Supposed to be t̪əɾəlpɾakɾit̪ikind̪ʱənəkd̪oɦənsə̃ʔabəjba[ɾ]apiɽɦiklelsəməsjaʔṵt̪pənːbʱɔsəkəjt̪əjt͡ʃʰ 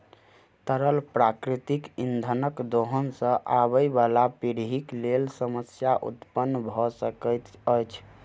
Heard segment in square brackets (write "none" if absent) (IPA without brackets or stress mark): l